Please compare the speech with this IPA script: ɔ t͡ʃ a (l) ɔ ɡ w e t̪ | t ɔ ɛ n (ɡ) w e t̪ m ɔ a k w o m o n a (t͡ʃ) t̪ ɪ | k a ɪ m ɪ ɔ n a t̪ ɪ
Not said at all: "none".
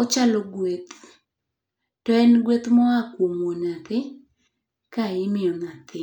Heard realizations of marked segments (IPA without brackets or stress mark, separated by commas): l, ɡ, none